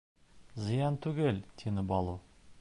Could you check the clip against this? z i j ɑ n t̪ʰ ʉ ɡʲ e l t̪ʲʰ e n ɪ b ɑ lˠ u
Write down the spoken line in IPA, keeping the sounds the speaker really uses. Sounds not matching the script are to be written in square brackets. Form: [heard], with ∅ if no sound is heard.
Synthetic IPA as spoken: z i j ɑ n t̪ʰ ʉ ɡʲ e l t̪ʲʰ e n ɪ b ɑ lˠ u